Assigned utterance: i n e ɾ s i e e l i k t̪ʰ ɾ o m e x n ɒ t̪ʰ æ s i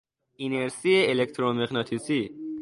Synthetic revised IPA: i n e ɾ s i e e l e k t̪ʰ ɾ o m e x n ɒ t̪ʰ i s i